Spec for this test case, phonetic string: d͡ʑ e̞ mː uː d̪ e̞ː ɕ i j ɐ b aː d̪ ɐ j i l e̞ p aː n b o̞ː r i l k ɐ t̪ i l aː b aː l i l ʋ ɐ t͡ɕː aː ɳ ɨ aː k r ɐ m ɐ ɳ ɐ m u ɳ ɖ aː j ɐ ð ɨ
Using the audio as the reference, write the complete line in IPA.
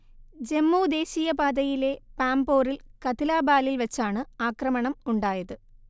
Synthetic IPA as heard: d͡ʑ e̞ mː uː d̪ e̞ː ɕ i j ɐ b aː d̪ ɐ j i l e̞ p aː m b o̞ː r i l k ɐ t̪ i l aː b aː l i l ʋ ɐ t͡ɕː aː ɳ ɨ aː k r ɐ m ɐ ɳ ɐ m u ɳ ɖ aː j ɐ ð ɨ

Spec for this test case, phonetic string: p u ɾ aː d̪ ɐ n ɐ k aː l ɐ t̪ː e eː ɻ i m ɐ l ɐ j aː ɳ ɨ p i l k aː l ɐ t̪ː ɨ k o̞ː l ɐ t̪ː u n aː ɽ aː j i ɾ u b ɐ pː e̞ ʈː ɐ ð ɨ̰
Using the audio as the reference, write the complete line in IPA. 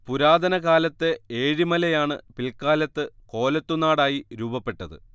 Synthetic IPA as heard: p u ɾ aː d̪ ɐ n ɐ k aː l ɐ t̪ː e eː ɻ i m ɐ l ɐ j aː ɳ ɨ p i l k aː l ɐ t̪ː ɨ k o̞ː l ɐ t̪ː u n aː ɽ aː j i ɾ uː b ɐ pː e̞ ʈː ɐ ð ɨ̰

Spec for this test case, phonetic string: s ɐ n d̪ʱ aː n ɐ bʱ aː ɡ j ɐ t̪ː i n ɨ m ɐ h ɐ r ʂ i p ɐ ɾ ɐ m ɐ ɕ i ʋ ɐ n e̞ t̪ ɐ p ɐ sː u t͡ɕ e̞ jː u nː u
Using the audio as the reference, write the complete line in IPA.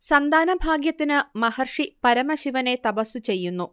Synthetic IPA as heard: s ɐ n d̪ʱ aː n ɐ bʱ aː ɡ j ɐ t̪ː i n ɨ m ɐ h ɐ r ʂ i p ɐ ɾ ɐ m ɐ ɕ i ʋ ɐ n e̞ t̪ ɐ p ɐ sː u t͡ɕ e̞ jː u nː u

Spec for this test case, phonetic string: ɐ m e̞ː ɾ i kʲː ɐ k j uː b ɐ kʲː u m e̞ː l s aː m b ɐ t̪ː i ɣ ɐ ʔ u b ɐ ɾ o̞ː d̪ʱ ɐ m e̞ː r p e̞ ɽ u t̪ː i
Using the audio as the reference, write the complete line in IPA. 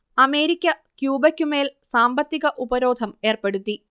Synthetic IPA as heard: ɐ m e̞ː ɾ i kʲː ɐ k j uː b ɐ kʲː u m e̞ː l s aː m b ɐ t̪ː i ɣ ɐ ʔ u b ɐ ɾ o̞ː d̪ʱ ɐ m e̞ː r p e̞ ɽ u t̪ː i

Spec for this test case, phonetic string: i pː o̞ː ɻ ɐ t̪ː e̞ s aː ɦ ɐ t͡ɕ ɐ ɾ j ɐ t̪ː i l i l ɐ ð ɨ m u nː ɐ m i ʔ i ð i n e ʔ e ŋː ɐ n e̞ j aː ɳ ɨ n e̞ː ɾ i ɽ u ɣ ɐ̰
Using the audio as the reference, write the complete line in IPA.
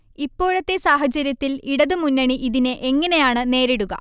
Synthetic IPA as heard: i pː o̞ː ɻ ɐ t̪ː e̞ s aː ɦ ɐ t͡ɕ ɐ ɾ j ɐ t̪ː i l i ɽ ɐ ð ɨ m u nː ɐ ɳ i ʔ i ð i n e ʔ e ŋː ɐ n e̞ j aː ɳ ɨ n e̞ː ɾ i ɽ u ɣ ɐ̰

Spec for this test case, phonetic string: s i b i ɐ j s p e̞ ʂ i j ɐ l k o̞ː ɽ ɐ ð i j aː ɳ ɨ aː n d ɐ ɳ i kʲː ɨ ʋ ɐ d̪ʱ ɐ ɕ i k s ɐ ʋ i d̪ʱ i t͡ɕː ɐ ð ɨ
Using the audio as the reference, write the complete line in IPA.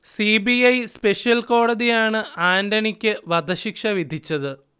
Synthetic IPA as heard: s i b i ɐ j s p e̞ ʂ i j ɐ l k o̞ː ɽ ɐ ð i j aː ɳ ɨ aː n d ɐ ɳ i kʲː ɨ ʋ ɐ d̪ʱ ɐ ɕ i k ʂ ɐ ʋ i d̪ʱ i t͡ɕː ɐ ð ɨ

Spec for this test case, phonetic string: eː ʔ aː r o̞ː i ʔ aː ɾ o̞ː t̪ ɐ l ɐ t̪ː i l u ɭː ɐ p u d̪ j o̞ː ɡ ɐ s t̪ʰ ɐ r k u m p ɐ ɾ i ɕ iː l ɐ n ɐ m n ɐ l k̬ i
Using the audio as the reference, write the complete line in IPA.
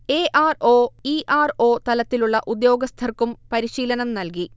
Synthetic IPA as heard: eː ʔ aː r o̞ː i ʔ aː r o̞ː t̪ ɐ l ɐ t̪ː i l u ɭː ɐ ʔ u d̪ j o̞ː ɡ ɐ s t̪ʰ ɐ r k u m p ɐ ɾ i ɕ iː l ɐ n ɐ m n ɐ l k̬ i

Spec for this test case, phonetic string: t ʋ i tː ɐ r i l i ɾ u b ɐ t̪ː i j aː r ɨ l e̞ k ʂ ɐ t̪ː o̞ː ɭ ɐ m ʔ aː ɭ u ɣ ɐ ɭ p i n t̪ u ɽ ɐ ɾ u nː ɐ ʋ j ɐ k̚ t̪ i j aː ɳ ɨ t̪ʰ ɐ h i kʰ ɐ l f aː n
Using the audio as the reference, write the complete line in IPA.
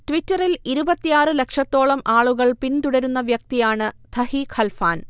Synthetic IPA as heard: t ʋ i tː ɐ r i l i ɾ u b ɐ t̪ː i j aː r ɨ l e̞ k ʂ ɐ t̪ː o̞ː ɭ ɐ m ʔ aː ɭ u ɣ ɐ ɭ p i n t̪ u ɽ ɐ ɾ u nː ɐ ʋ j ɐ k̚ t̪ i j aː ɳ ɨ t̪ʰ ɐ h i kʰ ɐ l f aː n

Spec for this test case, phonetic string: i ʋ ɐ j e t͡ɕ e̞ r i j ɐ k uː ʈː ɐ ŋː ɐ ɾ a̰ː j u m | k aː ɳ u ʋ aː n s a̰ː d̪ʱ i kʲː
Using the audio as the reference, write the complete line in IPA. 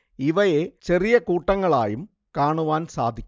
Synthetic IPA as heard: i ʋ ɐ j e t͡ɕ e̞ r i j ɐ k uː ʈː ɐ ŋː ɐ ɭ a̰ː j u m | k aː ɳ u ʋ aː n s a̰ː d̪ʱ i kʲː

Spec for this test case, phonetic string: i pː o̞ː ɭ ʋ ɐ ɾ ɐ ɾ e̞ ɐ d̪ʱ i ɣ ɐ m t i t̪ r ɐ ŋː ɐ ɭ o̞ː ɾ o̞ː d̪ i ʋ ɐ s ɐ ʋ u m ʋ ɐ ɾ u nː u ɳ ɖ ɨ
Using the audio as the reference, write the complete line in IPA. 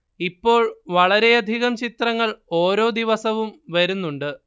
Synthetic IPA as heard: i pː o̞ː ɭ ʋ ɐ ɭ ɐ ɾ e̞ ɐ d̪ʱ i ɣ ɐ m t͡ɕ i t̪ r ɐ ŋː ɐ ɭ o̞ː ɾ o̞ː d̪ i ʋ ɐ s ɐ ʋ u m ʋ ɐ ɾ u nː u ɳ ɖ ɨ

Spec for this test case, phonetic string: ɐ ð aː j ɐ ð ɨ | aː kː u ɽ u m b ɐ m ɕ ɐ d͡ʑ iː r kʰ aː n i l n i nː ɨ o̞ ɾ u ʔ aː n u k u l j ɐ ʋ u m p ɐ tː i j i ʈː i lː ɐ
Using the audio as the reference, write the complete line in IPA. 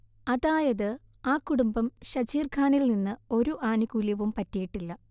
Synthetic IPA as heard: ɐ ð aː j ɐ ð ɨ | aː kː u ɽ u m b ɐ m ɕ ɐ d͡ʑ iː r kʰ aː n i l n i nː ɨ o̞ ɾ u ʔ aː n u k u l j ɐ ʋ u m p ɐ tː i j i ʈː i lː ɐ

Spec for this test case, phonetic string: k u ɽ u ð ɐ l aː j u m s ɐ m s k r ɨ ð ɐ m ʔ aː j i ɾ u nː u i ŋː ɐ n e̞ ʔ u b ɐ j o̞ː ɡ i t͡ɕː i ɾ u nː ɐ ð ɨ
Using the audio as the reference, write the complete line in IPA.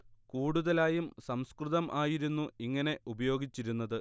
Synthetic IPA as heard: k uː ɽ u ð ɐ l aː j u m s ɐ m s k r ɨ ð ɐ m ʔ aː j i ɾ u nː u i ŋː ɐ n e̞ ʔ u b ɐ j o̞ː ɡ i t͡ɕː i ɾ u nː ɐ ð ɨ

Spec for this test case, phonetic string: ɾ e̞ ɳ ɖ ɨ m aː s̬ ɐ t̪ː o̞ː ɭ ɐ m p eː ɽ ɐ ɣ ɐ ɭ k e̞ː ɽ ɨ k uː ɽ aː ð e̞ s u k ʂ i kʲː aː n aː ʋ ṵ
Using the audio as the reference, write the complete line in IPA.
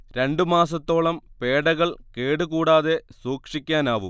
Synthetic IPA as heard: ɾ e̞ ɳ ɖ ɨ m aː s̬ ɐ t̪ː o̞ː ɭ ɐ m p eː ɽ ɐ ɣ ɐ ɭ k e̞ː ɽ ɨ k uː ɽ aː ð e̞ s uː k ʂ i kʲː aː n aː ʋ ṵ

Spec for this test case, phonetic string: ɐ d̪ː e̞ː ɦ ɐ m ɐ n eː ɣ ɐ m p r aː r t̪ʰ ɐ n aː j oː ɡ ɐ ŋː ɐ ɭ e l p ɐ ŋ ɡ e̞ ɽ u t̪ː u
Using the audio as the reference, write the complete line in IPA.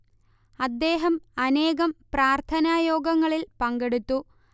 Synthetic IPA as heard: ɐ d̪ː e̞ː ɦ ɐ m ɐ n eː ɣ ɐ m p r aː r t̪ʰ ɐ n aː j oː ɡ ɐ ŋː ɐ ɭ i l p ɐ ŋ ɡ e̞ ɽ u t̪ː u

